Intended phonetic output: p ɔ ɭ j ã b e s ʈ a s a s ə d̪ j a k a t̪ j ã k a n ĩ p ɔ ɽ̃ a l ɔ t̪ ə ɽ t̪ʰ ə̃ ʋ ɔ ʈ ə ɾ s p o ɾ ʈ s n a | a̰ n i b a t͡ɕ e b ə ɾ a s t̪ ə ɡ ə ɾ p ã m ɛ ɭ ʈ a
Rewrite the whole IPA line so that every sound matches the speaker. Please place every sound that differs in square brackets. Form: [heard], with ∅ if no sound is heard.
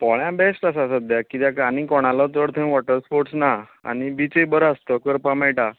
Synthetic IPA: p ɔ ɭ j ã b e s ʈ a s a s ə d̪ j a k [i] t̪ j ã k a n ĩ [k] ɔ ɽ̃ a l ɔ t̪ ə ɽ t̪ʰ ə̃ ʋ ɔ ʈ ə ɾ s p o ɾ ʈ s n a | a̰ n i b [i] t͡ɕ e b ə ɾ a s t̪ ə [k] ə ɾ p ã m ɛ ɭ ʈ a